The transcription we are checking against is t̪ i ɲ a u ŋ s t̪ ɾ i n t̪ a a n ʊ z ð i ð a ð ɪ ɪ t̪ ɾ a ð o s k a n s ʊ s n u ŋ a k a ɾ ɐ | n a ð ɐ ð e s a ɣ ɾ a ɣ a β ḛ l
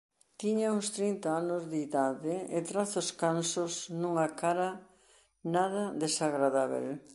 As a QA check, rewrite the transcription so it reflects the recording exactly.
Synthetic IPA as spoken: t̪ i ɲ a u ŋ s t̪ ɾ i n t̪ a a n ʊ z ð i ð a ð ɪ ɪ t̪ ɾ a θ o s k a n s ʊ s n u ŋ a k a ɾ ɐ | n a ð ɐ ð e s a ɣ ɾ a ð a β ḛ l